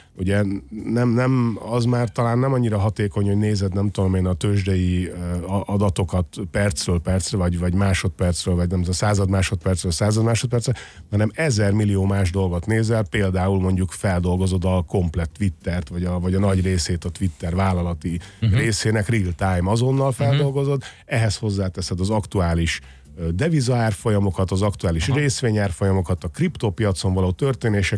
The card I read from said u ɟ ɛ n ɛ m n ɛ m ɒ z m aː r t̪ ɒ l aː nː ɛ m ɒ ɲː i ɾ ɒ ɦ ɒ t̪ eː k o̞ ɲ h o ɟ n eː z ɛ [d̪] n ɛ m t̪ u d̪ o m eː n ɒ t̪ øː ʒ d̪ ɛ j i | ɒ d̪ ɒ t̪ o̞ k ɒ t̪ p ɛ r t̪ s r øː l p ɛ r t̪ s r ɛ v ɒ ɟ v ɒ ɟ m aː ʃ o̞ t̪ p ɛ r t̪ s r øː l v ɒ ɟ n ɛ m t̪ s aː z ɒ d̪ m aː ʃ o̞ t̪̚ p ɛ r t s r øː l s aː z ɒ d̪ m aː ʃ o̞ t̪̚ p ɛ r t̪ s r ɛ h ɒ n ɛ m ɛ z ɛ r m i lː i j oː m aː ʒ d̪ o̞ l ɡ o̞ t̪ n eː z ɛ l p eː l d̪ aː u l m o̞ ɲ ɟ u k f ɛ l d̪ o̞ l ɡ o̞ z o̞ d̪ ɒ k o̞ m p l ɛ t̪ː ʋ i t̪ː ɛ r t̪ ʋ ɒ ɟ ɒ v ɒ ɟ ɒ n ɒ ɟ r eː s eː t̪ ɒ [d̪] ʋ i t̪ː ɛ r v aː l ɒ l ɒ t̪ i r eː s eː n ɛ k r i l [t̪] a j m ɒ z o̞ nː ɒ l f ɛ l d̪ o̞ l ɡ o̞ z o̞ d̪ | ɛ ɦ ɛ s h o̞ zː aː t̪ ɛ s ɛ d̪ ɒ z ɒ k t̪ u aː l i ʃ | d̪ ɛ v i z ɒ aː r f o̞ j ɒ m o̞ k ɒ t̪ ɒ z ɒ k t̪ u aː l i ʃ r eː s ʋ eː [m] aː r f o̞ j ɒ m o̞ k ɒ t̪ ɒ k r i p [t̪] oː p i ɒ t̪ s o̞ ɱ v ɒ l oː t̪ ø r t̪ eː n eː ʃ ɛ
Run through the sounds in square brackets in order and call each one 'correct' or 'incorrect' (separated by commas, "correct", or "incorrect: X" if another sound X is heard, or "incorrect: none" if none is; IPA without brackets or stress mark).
correct, incorrect: t̪, correct, incorrect: ɲ, correct